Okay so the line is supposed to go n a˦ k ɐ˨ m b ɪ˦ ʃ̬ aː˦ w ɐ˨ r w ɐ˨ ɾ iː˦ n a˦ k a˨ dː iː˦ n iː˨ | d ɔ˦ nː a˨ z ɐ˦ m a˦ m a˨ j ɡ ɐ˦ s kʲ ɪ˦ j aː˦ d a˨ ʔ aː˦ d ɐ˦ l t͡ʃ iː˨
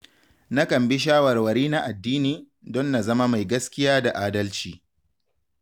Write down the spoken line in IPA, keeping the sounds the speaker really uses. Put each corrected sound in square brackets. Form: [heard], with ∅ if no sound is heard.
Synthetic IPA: n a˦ k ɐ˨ m b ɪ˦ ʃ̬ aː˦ w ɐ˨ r w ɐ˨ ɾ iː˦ n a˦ [ʔ] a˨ dː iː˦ n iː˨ | d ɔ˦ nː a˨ z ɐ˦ m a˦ m a˨ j ɡ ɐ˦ s kʲ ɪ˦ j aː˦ d a˨ ʔ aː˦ d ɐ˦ l t͡ʃ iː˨

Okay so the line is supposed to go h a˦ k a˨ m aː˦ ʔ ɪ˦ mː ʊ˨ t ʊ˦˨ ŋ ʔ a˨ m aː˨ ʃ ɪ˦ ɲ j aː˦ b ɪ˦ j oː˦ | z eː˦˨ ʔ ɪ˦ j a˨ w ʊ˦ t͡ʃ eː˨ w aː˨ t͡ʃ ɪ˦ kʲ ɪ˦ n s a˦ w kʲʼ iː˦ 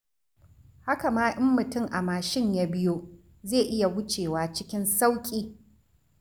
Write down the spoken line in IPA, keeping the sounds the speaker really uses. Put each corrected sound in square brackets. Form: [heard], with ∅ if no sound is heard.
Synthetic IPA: h a˦ k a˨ m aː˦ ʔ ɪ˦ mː ʊ˨ t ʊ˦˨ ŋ ʔ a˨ m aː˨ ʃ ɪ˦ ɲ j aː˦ b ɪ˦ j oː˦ | z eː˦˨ ʔ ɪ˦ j a˨ w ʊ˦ t͡ʃ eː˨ w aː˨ t͡ʃ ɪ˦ kʲ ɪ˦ n s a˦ w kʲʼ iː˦

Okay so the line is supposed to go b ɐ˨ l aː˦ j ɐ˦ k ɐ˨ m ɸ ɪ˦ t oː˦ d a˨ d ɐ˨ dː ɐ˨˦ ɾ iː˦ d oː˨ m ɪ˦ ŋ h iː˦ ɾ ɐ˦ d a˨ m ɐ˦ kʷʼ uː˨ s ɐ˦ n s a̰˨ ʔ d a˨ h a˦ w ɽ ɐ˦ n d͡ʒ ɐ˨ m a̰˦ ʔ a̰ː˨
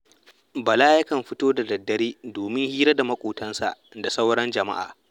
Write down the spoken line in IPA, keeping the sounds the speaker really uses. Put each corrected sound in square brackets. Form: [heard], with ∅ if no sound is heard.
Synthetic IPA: b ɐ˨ l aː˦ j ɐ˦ k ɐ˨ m ɸ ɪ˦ t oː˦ d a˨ d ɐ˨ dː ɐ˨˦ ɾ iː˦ d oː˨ m ɪ˦ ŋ h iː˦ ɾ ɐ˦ d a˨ m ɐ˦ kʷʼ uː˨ [t] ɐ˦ n s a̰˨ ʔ d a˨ [s] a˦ w ɽ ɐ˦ n d͡ʒ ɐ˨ m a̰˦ ʔ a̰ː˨

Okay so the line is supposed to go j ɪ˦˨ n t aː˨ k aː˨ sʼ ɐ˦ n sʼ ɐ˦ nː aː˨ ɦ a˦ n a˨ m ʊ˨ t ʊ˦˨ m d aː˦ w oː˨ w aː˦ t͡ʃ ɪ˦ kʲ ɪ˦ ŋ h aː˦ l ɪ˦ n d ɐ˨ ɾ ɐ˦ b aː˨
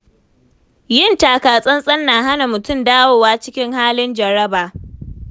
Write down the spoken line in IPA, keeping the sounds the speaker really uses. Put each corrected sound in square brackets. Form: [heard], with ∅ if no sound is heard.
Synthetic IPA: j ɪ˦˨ n t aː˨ k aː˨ sʼ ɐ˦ n sʼ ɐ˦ nː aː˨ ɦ a˦ n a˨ m ʊ˨ t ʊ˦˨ m d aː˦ w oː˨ w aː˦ t͡ʃ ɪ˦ kʲ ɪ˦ ŋ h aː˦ l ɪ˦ n [d͡ʒ] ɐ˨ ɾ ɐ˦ b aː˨

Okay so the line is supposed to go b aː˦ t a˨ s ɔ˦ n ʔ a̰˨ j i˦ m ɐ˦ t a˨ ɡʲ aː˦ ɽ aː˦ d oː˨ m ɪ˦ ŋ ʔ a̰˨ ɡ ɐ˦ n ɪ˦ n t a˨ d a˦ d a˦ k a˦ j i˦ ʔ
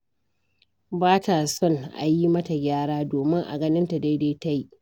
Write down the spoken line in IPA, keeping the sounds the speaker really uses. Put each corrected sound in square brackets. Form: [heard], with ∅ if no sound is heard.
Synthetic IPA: b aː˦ t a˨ s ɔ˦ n ʔ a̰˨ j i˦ m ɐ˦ t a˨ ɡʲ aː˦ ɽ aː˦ d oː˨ m ɪ˦ ŋ ʔ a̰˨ ɡ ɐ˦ n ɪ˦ n t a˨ d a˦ d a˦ [t] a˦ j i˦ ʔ

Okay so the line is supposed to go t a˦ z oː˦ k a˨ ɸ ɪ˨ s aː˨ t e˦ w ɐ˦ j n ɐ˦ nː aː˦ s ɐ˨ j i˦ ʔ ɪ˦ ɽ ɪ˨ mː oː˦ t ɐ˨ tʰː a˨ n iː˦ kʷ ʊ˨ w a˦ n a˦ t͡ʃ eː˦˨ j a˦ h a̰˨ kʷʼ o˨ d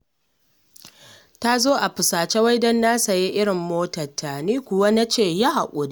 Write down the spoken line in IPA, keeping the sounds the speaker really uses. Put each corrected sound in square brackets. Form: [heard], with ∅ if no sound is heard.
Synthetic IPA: t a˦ z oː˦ [ʔ] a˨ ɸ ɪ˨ s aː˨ [t͡ʃ] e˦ w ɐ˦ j [d] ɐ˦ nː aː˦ s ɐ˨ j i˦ ʔ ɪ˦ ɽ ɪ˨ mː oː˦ t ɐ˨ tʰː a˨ n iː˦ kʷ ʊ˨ w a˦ n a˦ t͡ʃ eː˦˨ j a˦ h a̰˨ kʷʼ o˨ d

